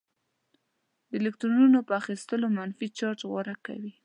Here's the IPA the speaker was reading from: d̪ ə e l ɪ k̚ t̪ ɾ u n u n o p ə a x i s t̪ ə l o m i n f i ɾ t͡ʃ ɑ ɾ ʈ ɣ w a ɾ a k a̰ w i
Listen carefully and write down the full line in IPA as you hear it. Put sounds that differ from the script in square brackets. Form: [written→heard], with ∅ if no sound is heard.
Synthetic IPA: d̪ ə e l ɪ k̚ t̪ ɾ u n u n o p ə a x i s t̪ ə l o m [i→a] n f i [ɾ→∅] t͡ʃ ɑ ɾ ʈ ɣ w a ɾ a k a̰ w i